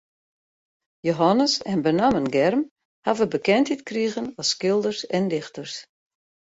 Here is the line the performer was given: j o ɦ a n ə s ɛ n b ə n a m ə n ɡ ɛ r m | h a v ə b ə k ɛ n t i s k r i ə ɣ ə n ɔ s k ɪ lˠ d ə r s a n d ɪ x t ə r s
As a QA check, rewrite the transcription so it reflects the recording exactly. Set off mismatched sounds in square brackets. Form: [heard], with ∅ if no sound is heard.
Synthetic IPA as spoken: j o ɦ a n ə s ɛ n b ə n a m ə n ɡ ɛ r m | h a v ə b ə k ɛ n t i [t] k r i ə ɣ ə n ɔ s k ɪ lˠ d ə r s [ɛ] n d ɪ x t ə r s